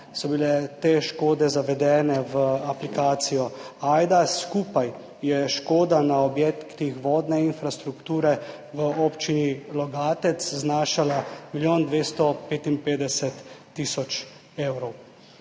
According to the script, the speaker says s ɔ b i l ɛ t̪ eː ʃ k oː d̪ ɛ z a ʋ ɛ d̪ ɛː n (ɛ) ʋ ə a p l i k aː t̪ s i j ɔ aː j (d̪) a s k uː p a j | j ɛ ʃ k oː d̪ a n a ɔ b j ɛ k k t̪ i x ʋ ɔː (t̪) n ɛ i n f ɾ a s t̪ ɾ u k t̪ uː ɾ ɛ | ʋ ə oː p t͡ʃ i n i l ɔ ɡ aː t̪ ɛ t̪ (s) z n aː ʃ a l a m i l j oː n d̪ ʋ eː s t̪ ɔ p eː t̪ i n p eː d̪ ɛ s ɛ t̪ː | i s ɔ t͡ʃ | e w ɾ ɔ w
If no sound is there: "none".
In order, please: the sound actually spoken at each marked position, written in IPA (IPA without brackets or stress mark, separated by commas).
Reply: ɛ, d̪, d̪, s